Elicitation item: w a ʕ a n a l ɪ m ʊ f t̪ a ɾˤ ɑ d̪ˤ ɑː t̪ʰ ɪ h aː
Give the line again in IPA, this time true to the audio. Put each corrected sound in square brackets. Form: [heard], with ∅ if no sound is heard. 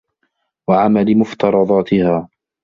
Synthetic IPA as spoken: w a ʕ a [m] a l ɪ m ʊ f t̪ [ɑ] ɾˤ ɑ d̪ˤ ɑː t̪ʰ ɪ h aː